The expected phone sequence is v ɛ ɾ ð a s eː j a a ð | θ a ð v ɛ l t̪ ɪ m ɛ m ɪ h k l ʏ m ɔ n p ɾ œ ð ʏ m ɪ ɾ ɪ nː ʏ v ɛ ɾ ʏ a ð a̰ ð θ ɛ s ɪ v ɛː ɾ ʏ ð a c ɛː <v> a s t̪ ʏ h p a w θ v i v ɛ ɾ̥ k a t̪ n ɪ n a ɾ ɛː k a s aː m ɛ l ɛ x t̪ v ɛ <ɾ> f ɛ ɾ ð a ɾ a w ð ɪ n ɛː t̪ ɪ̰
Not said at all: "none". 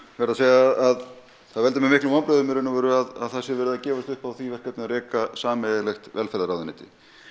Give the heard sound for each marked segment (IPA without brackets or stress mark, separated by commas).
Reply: v, l